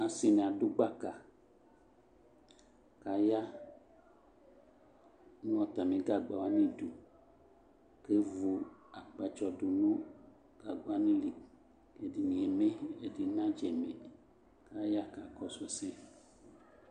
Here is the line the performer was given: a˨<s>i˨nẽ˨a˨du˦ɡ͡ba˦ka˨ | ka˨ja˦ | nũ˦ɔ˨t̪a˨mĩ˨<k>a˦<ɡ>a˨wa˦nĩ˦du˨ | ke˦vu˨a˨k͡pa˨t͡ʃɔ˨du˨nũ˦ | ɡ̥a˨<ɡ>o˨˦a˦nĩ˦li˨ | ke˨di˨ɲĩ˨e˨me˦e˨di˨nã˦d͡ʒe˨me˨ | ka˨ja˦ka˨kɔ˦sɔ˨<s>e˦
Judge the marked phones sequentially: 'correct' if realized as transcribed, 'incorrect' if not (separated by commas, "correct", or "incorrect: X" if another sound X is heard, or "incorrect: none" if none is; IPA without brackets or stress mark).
correct, incorrect: ɡ, incorrect: ɡ͡b, correct, correct